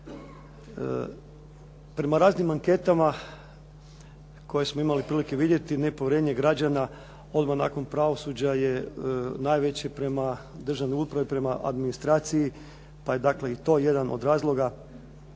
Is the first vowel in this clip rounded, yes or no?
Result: no